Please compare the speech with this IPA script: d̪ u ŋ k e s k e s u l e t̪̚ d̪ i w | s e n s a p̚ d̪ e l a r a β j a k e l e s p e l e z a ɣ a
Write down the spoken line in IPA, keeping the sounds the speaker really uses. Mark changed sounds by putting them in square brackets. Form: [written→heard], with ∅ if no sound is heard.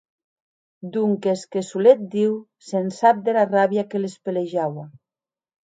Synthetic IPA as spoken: d̪ u ŋ k e s k e s u l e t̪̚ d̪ i w | s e n s a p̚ d̪ e l a r a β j a k e l e s p e l e [z→ʒ] a [ɣ→w] a